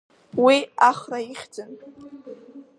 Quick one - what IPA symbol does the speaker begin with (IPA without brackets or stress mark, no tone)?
w